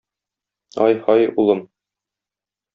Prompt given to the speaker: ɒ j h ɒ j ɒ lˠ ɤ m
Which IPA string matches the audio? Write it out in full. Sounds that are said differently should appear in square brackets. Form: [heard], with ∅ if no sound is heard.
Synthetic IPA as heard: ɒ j h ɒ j [u] lˠ ɤ m